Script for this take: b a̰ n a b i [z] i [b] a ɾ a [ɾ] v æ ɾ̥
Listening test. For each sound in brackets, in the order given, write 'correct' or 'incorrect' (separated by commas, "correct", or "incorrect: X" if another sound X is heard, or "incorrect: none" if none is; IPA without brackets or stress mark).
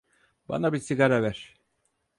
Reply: incorrect: s, incorrect: ɡ, incorrect: none